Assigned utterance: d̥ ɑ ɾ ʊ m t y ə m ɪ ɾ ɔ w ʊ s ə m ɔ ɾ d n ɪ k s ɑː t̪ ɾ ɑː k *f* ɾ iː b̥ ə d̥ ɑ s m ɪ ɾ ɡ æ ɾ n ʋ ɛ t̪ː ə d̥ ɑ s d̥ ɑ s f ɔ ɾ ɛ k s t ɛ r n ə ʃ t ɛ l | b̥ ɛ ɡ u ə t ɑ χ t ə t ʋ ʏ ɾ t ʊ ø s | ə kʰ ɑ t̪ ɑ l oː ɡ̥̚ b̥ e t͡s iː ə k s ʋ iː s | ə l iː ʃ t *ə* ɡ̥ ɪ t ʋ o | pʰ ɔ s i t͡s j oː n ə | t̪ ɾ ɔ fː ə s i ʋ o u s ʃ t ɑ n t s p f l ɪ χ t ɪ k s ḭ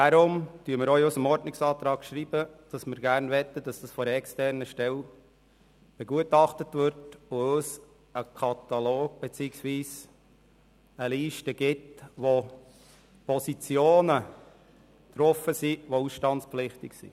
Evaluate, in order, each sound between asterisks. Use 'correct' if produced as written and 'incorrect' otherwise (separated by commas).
incorrect, correct